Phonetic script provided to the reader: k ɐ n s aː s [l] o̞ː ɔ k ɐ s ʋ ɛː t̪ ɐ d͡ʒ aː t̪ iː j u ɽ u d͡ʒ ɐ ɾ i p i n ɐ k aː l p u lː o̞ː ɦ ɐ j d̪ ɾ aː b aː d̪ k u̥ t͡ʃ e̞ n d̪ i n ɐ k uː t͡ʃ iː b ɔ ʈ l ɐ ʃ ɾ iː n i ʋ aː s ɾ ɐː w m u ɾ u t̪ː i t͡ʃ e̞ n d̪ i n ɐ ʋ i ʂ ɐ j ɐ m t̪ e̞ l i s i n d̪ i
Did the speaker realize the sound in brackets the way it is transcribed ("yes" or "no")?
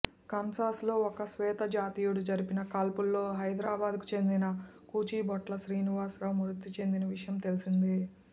yes